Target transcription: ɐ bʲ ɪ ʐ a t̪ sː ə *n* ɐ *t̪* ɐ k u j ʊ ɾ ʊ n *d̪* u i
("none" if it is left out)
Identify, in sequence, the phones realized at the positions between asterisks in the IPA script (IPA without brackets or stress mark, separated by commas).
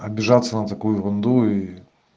n, t̪, d̪